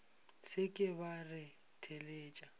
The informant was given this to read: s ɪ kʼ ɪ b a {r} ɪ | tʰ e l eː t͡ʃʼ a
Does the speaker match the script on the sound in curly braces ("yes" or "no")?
yes